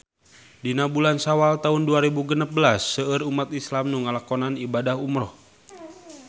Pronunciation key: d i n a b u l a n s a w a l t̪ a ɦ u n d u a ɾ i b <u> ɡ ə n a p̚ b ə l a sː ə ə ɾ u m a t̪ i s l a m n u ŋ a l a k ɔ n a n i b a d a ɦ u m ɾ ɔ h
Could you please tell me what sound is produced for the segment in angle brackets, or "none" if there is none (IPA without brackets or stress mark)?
u